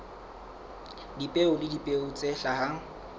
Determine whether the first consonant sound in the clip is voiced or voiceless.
voiced